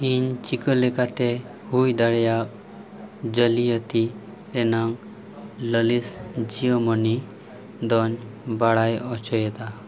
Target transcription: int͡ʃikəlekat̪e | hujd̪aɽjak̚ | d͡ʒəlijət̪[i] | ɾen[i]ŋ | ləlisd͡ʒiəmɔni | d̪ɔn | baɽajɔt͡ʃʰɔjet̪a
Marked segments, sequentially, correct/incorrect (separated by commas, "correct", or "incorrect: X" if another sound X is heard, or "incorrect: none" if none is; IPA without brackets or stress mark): correct, incorrect: a